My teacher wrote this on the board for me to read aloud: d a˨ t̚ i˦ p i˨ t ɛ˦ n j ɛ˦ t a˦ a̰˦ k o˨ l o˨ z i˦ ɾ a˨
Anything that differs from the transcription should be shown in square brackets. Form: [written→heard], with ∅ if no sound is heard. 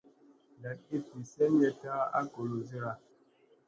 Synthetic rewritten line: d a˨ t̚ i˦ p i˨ [t→s] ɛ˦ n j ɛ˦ t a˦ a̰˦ k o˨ l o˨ z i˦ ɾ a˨